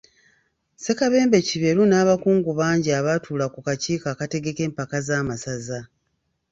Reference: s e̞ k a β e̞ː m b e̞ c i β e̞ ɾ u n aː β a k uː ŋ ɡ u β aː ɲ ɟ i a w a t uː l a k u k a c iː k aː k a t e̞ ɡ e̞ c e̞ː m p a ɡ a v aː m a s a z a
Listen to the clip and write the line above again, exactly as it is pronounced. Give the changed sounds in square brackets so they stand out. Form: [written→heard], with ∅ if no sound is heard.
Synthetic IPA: s e̞ k a β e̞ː m b e̞ c i β e̞ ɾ u n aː β a k uː ŋ ɡ u β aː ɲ ɟ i a [w→β] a t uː l a k u k a c iː k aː k a t e̞ ɡ e̞ [c→k] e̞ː m p a [ɡ→k] a [v→z] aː m a s a z a